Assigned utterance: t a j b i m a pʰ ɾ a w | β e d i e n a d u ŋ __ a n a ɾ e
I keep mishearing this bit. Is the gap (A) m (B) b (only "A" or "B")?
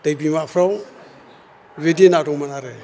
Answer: A